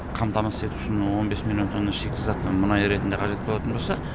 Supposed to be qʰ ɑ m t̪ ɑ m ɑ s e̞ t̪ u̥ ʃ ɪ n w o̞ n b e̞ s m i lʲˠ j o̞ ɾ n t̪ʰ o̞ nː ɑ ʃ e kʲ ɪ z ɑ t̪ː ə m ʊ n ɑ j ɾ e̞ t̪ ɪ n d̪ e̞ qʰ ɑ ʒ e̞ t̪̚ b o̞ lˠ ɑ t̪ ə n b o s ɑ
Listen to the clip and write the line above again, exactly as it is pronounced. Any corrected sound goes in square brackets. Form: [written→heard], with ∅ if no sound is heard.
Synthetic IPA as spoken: qʰ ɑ m t̪ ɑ m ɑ s e̞ t̪ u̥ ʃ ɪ n w o̞ n b e̞ s m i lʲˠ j o̞ [ɾ→∅] n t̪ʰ o̞ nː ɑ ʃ e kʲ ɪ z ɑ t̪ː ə m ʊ n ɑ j ɾ e̞ t̪ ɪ n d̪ e̞ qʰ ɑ ʒ e̞ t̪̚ b o̞ lˠ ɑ t̪ ə n b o s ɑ